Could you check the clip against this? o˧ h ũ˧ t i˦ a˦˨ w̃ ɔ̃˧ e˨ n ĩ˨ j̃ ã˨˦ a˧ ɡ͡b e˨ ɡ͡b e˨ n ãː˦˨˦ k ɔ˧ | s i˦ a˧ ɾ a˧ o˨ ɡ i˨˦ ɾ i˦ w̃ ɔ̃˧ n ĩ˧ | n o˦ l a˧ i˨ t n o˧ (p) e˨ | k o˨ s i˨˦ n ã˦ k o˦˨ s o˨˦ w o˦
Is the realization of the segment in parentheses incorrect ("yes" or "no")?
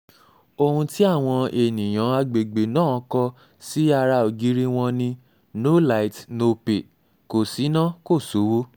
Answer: no